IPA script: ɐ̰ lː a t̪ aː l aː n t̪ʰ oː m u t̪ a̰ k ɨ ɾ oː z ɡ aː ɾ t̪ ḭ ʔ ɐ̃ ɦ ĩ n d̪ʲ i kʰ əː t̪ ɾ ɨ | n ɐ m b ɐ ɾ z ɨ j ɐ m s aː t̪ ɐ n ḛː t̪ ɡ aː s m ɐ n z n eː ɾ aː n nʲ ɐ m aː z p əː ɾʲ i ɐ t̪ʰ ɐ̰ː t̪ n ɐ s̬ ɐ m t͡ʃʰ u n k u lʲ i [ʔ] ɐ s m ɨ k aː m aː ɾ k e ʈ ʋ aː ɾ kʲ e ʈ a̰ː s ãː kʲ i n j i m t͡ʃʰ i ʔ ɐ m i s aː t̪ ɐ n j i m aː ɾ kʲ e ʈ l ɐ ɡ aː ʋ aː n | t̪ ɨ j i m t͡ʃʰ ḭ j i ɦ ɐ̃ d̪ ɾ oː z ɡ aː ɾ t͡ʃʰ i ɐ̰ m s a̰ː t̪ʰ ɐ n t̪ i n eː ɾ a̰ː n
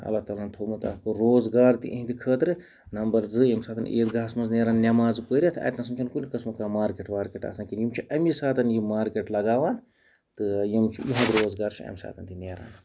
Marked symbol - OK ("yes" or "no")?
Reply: no